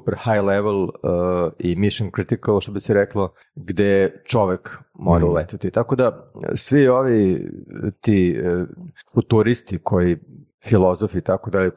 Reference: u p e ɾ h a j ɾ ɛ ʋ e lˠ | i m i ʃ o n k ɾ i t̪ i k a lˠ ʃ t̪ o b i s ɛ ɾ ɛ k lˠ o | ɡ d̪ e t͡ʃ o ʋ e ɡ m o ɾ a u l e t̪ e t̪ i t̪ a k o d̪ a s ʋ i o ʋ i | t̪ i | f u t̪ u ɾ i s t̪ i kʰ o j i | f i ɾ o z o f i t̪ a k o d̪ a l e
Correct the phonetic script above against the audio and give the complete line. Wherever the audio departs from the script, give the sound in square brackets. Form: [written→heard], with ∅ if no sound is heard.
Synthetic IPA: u p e ɾ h a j [ɾ→l] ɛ ʋ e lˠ | i m i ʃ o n k ɾ i t̪ i k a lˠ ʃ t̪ o b i s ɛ ɾ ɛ k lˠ o | ɡ d̪ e t͡ʃ o ʋ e [ɡ→k] m o ɾ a u l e t̪ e t̪ i t̪ a k o d̪ a s ʋ i o ʋ i | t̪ i | f u t̪ u ɾ i s t̪ i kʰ o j i | f i [ɾ→l] o z o f i t̪ a k o d̪ a l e